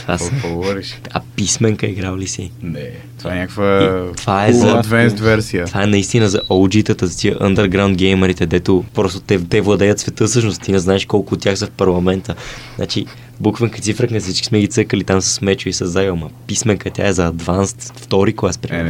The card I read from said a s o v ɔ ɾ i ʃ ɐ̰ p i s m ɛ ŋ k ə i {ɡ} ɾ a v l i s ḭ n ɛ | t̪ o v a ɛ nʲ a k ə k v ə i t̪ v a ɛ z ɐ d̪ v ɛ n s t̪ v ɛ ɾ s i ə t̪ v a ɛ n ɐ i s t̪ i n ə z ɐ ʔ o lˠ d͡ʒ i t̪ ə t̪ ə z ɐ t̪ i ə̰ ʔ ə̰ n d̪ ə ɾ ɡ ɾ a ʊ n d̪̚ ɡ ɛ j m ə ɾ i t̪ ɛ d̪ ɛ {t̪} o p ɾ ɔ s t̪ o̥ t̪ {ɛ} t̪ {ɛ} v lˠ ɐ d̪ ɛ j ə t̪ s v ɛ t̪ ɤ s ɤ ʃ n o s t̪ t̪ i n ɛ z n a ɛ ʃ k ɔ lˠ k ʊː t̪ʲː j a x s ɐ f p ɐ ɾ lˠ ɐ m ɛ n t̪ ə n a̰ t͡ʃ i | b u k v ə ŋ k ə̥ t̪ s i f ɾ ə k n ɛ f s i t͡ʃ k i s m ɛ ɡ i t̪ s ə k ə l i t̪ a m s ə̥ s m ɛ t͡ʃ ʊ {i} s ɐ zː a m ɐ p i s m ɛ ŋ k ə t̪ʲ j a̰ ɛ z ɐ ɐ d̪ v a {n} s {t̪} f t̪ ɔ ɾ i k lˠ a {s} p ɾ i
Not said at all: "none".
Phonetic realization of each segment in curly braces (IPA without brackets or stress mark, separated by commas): ɡ, t̪, ɛ, ɛ, i, n, t̪, s